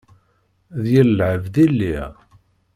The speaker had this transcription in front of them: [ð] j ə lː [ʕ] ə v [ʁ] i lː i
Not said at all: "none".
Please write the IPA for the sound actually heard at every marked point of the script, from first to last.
ð, ʕ, ð

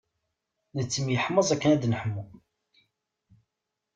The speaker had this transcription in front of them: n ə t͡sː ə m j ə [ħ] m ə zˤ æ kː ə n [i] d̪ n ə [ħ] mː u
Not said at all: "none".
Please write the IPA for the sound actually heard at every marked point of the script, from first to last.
ħ, æ, ħ

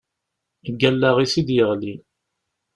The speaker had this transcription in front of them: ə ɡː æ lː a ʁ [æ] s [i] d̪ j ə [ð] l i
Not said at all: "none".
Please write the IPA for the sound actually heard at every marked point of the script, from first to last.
i, i, ʁ

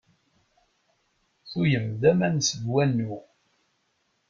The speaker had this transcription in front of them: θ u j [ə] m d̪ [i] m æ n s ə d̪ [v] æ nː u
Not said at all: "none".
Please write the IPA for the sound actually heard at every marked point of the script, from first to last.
ə, æ, w

